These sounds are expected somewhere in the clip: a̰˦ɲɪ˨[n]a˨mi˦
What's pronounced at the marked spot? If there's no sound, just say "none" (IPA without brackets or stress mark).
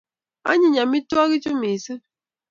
ɲ